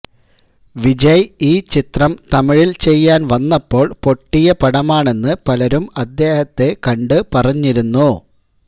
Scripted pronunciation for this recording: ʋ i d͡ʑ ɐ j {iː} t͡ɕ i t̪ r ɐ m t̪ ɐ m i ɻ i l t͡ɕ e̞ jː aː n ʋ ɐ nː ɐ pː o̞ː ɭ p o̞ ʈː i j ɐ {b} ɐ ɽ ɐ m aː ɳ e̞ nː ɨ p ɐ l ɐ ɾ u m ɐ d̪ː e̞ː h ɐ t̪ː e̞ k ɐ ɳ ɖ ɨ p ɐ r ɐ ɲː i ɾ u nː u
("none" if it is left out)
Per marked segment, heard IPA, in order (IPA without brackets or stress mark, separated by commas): iː, p